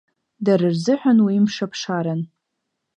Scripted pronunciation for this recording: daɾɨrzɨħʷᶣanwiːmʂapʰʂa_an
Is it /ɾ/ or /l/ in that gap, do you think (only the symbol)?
ɾ